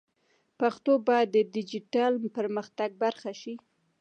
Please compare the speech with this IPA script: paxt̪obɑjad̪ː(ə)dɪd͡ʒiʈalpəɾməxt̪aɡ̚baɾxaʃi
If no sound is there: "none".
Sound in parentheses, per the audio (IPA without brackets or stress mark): ə